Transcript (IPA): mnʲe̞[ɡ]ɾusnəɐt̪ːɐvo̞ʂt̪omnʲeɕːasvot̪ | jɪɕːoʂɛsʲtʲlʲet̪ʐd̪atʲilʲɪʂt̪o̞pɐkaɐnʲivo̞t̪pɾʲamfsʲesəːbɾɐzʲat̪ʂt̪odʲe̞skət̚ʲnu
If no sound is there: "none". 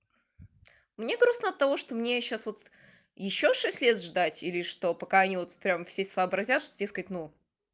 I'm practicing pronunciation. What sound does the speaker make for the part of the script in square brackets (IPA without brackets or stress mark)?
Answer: ɡ